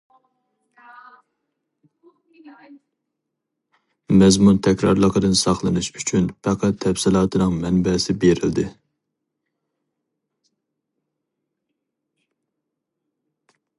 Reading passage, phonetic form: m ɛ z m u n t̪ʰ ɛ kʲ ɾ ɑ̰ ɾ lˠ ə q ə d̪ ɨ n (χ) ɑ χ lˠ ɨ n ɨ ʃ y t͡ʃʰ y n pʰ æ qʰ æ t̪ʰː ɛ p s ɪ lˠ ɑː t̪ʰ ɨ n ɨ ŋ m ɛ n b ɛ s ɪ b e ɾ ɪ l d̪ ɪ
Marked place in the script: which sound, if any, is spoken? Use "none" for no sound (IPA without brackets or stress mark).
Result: s